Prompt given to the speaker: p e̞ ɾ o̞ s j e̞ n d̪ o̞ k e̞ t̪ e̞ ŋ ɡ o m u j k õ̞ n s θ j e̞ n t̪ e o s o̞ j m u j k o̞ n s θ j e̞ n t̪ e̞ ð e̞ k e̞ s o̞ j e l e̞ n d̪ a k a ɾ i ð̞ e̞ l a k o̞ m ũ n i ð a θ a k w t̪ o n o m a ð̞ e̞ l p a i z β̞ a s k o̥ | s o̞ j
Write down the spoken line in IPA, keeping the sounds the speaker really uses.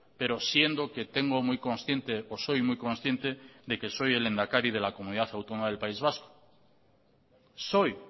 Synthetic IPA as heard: p e̞ ɾ o̞ s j e̞ n d̪ o̞ k e̞ t̪ e̞ ŋ ɡ o m u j k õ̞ n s θ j e̞ n t̪ e o s o̞ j m u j k o̞ n s θ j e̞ n t̪ e̞ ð e̞ k e̞ s o̞ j e l e̞ n d̪ a k a ɾ i ð̞ e̞ l a k o̞ m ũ n i ð a θ a w t̪ o n o m a ð̞ e̞ l p a i z β̞ a s k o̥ | s o̞ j